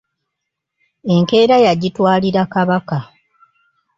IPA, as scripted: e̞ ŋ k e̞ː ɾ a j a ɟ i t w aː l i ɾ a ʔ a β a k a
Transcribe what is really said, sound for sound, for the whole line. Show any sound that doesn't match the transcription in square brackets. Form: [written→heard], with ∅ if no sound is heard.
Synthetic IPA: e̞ ŋ k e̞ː ɾ a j a ɟ i t w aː l i ɾ a [ʔ→k] a β a k a